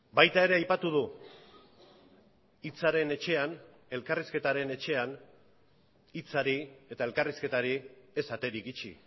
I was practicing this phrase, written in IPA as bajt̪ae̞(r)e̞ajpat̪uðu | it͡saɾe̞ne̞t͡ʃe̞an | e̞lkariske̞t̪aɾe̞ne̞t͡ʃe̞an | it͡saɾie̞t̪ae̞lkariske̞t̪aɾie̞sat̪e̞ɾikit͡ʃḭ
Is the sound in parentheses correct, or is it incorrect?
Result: incorrect